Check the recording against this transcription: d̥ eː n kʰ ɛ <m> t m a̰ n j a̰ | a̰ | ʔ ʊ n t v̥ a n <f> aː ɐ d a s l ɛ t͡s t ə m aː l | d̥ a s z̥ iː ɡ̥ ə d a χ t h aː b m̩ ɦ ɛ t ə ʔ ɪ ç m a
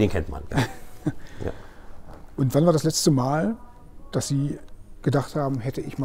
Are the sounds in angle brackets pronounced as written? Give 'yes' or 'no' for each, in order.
no, no

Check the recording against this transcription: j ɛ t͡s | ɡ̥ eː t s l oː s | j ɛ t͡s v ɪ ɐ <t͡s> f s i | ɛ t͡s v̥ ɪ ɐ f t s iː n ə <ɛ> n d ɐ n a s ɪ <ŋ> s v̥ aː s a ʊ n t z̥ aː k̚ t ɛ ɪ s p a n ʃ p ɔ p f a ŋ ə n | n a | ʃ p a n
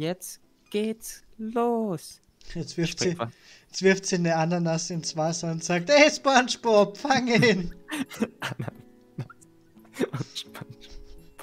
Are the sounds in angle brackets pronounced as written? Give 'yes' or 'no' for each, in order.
no, no, no

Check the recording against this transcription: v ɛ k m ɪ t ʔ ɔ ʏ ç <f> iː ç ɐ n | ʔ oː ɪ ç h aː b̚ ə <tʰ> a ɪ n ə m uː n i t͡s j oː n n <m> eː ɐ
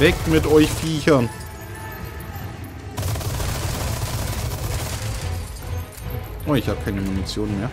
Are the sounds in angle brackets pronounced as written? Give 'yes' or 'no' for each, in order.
yes, no, yes

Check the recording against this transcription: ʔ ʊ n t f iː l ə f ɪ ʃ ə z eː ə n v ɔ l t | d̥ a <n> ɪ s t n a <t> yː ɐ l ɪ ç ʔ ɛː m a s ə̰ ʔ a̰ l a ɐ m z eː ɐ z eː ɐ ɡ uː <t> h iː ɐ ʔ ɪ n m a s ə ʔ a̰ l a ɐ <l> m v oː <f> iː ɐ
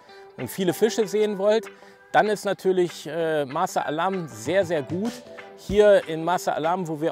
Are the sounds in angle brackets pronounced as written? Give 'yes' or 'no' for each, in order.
yes, no, yes, no, no

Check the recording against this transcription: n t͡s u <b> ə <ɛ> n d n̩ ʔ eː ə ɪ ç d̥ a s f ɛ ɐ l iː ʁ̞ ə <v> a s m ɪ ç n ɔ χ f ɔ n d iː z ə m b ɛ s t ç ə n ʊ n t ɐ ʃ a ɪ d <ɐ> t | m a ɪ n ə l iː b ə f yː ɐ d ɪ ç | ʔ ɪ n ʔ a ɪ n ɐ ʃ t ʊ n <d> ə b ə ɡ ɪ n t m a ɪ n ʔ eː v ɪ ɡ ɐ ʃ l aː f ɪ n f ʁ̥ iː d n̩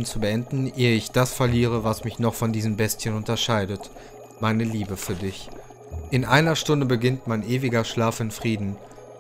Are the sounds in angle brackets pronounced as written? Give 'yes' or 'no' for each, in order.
yes, yes, yes, no, yes

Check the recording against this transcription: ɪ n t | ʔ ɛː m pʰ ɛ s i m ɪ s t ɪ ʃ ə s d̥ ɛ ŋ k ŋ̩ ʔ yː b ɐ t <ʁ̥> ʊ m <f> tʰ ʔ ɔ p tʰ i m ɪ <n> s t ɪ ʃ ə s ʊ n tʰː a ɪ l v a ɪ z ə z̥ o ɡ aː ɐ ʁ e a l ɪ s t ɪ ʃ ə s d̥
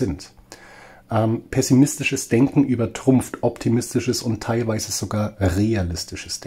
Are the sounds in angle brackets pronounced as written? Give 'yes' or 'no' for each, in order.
yes, yes, no

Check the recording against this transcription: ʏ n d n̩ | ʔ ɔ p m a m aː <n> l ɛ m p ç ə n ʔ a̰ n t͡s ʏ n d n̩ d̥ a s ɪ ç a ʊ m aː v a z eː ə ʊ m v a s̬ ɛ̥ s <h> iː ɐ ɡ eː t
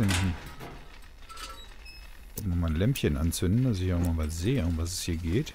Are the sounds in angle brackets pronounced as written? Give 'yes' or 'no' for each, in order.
yes, yes

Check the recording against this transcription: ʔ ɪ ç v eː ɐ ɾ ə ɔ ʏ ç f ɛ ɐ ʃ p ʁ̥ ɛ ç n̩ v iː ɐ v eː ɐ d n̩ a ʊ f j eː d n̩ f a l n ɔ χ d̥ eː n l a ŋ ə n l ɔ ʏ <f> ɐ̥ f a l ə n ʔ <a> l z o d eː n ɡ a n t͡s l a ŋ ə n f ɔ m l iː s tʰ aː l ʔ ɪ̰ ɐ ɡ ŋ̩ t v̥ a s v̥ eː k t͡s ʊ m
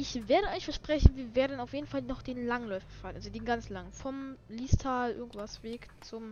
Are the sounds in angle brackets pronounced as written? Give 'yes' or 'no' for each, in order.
yes, yes

